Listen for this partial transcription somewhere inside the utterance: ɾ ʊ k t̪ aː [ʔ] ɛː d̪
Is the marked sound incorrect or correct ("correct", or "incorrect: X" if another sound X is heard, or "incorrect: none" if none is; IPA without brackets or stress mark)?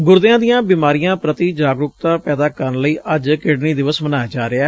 incorrect: p